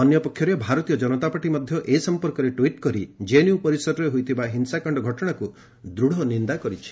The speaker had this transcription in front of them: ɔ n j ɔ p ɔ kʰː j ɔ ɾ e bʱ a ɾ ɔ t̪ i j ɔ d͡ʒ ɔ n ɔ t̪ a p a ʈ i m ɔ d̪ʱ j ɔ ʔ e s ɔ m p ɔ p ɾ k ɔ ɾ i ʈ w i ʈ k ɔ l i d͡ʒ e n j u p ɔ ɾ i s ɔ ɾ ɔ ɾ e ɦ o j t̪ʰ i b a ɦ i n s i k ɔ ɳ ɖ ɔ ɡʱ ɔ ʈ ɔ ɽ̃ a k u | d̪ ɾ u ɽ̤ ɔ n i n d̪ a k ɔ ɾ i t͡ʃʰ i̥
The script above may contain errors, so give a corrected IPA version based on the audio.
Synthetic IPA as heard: ɔ n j ɔ p ɔ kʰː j ɔ ɾ e bʱ a ɾ ɔ t̪ i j ɔ d͡ʒ ɔ n ɔ t̪ a p a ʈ i m ɔ d̪ʱ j ɔ ʔ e s ɔ m p ɔ ɾ k ɔ ɾ e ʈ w i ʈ k ɔ ɾ i d͡ʒ e n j u p ɔ ɾ i s ɔ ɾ ɔ ɾ e ɦ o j t̪ʰ i b a ɦ i n s a k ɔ ɳ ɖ ɔ ɡʱ ɔ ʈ ɔ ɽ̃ a k u | d̪ ɾ u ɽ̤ ɔ n i n d̪ a k ɔ ɾ i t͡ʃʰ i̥